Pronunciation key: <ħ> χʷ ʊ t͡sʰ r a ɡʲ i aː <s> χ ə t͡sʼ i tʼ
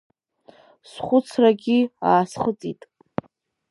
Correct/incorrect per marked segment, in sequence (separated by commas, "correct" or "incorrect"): incorrect, correct